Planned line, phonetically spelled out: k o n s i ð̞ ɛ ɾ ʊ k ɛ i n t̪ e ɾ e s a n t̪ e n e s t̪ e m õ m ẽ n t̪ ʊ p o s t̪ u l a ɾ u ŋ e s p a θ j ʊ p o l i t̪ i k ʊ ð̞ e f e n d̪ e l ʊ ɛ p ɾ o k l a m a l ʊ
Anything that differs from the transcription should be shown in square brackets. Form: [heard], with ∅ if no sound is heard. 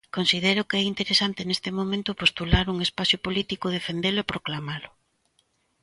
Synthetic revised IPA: k o n s i ð̞ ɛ ɾ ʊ k ɛ i n t̪ e ɾ e s a n t̪ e n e s t̪ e m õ m ẽ n t̪ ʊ p o s t̪ u l a ɾ u ŋ e s p a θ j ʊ p o l i t̪ i k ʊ ð̞ e f e n d̪ e l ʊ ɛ p ɾ o k l a m a l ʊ